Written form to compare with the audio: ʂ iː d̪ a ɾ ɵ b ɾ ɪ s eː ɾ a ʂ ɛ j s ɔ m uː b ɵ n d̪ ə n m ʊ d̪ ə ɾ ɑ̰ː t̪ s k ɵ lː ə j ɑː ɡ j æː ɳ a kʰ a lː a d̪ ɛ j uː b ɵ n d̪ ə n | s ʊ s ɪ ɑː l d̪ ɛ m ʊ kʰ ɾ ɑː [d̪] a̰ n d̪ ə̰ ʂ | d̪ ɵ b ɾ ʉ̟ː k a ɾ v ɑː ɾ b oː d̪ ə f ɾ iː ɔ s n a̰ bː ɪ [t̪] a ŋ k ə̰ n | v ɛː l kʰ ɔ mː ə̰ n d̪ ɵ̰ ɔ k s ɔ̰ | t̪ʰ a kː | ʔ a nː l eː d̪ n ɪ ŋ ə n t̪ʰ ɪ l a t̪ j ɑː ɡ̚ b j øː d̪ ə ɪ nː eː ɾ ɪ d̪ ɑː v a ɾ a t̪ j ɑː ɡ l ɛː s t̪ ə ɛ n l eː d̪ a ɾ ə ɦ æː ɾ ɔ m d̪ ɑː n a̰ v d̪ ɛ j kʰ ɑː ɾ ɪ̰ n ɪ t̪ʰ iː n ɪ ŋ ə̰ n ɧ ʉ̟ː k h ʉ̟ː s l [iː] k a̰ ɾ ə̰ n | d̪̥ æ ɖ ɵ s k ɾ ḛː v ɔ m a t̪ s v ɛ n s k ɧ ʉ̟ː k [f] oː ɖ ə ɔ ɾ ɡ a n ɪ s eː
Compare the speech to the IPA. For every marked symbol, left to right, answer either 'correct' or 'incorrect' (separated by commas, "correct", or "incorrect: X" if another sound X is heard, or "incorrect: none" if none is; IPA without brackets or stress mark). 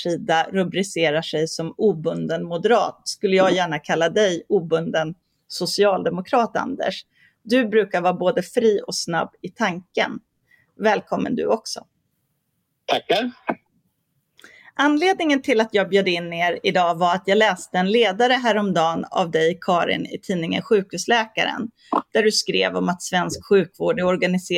incorrect: t̪, incorrect: t̪ʰ, incorrect: ɛː, incorrect: v